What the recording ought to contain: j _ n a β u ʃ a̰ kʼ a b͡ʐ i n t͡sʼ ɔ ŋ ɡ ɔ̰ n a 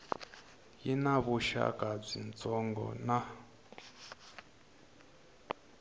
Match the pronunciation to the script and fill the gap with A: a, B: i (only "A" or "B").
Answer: B